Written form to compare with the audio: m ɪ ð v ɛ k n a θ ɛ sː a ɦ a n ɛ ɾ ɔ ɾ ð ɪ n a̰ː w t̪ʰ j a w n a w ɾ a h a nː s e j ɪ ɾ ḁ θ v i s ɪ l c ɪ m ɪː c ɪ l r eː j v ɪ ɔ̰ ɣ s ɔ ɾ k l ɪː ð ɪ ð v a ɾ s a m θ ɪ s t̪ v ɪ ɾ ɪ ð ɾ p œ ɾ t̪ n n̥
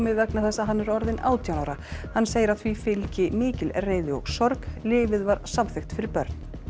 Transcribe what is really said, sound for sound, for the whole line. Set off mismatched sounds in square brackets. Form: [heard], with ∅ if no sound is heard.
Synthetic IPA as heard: m ɪ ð v ɛ k n a θ ɛ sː a ɦ a [nː] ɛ ɾ ɔ ɾ ð ɪ n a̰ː w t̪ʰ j a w n a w ɾ a h a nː s e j ɪ ɾ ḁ θ v i [f] ɪ l c ɪ m ɪː c ɪ l r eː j [ð] ɪ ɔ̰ ɣ s ɔ ɾ k l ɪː [v] ɪ ð v a ɾ s a m θ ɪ [x] t̪ [f] ɪ ɾ ɪ [∅] ɾ p œ ɾ t̪ n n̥